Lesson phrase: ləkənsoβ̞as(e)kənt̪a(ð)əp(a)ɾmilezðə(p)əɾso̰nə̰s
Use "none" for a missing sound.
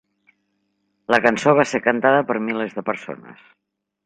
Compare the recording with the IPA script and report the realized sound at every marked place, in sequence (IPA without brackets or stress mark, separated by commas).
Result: e, ð, ə, p